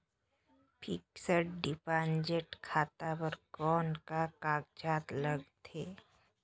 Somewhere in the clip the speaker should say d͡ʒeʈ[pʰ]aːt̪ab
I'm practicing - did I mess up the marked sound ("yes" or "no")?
yes